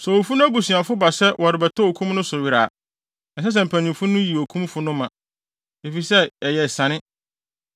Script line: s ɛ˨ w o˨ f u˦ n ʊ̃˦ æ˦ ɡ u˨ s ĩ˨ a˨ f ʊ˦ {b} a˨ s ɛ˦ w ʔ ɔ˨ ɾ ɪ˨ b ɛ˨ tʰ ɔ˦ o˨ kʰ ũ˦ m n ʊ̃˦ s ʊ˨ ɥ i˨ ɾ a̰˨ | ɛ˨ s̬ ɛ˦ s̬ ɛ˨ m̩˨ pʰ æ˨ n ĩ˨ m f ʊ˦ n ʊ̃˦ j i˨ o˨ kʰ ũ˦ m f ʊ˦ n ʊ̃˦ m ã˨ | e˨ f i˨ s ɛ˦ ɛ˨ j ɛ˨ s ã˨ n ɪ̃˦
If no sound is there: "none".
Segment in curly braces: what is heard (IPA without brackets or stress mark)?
b